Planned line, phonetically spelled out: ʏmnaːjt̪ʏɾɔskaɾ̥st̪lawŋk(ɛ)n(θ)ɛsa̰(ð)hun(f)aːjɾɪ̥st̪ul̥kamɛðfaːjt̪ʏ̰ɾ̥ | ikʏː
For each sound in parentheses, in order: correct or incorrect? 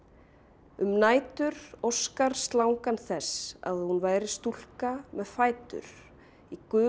incorrect: a, correct, correct, incorrect: v

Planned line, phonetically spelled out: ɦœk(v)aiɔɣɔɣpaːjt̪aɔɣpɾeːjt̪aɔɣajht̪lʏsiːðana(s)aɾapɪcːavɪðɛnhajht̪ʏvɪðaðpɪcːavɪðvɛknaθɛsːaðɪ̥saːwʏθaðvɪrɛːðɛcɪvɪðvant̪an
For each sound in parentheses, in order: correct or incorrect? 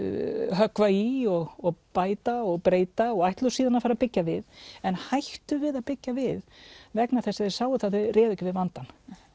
correct, incorrect: f

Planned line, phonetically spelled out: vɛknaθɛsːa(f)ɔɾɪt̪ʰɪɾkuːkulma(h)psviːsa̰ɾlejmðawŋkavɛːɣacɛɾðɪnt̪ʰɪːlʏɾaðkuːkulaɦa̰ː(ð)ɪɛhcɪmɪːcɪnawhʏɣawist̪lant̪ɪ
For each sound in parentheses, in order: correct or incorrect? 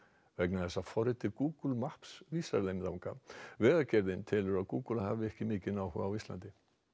correct, correct, incorrect: v

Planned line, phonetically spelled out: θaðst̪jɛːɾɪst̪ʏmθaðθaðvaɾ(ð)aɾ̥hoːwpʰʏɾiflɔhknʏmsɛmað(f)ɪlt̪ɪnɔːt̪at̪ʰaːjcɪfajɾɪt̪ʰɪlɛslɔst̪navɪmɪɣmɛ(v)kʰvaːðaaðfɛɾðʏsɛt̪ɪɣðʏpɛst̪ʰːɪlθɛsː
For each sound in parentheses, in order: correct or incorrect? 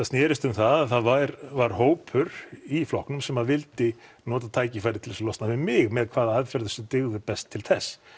incorrect: v, incorrect: v, incorrect: ð

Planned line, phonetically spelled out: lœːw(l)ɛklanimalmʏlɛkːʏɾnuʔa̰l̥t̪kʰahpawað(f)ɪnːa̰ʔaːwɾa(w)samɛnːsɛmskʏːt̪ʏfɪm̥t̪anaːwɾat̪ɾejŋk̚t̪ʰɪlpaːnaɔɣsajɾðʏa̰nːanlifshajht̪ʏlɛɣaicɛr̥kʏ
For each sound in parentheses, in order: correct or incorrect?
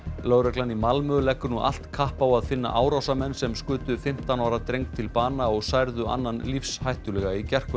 incorrect: ɾ, correct, correct

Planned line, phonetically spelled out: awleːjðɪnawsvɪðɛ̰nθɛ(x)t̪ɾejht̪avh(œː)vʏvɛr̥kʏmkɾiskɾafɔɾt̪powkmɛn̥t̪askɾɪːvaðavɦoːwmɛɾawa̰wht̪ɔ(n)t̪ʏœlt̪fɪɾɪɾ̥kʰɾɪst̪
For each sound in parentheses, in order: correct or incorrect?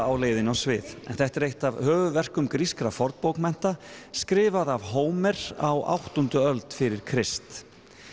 incorrect: h, correct, correct

